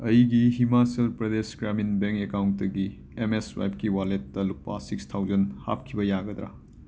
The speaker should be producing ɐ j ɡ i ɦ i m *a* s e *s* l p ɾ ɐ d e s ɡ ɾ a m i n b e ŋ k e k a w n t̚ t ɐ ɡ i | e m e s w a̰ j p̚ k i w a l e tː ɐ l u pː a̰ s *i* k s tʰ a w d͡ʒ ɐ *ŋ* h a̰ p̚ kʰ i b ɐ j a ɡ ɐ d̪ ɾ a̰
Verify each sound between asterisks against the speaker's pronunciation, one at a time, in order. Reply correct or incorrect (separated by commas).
correct, incorrect, correct, incorrect